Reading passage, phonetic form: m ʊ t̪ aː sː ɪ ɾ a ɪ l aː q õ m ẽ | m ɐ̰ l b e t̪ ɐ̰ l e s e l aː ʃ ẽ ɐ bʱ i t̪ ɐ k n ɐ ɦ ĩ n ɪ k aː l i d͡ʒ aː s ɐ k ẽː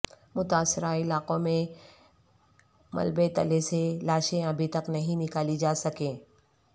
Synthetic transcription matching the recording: m ʊ t̪ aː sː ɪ ɾ a ɪ l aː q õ m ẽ | m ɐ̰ l b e t̪ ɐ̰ l e s e l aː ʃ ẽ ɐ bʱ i t̪ ɐ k n ɐ ɦ ĩ n ɪ k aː l i d͡ʒ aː s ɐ k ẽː